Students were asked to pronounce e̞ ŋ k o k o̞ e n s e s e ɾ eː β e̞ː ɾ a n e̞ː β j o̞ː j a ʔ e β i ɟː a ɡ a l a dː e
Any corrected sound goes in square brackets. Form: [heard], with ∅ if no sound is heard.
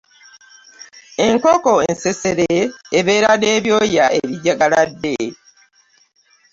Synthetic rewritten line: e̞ ŋ k o k o̞ e n s e s e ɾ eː β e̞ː ɾ a n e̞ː β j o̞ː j a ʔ e β i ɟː a ɡ a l a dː e